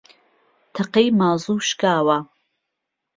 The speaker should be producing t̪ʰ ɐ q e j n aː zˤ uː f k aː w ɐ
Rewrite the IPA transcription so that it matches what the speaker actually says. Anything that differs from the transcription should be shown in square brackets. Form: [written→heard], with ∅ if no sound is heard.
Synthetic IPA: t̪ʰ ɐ q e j [n→m] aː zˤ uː [f→ʃ] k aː w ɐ